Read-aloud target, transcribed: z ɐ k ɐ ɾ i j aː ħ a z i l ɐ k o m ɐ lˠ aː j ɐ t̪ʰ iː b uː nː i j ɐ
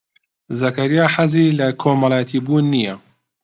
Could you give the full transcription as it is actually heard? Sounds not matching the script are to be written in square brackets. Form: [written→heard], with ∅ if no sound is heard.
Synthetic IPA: z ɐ k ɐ ɾ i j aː ħ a z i l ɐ [k→kʰ] o m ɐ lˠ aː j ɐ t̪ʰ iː b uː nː i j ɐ